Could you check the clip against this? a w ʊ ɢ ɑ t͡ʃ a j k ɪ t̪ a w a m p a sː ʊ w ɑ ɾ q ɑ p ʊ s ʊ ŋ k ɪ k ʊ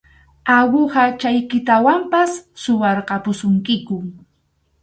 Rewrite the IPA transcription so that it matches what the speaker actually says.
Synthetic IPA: a w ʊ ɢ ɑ t͡ʃ a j k ɪ t̪ a w a m p a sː ʊ w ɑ ɾ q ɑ p ʊ s ʊ ŋ k ɪ k ʊ